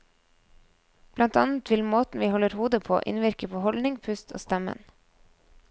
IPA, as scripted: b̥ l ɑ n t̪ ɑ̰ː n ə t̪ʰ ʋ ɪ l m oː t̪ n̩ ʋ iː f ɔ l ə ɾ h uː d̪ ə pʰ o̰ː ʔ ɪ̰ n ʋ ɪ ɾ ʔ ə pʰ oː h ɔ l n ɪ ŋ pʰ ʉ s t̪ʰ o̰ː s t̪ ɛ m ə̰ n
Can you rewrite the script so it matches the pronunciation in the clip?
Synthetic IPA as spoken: b̥ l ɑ n t̪ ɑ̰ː n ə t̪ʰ ʋ ɪ l m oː t̪ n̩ ʋ iː h ɔ l ə ɾ h uː d̪ ə pʰ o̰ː ʔ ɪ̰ n ʋ ɪ ɾ k ə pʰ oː h ɔ l n ɪ ŋ pʰ ʉ s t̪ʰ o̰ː s t̪ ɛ m ə̰ n